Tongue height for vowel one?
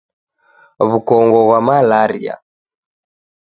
high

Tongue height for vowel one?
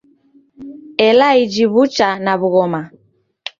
mid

